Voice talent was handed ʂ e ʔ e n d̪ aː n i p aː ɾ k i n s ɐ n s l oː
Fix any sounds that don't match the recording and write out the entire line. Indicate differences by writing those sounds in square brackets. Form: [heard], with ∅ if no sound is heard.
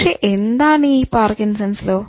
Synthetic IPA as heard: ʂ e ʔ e n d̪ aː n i p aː ɾ k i n s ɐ n s l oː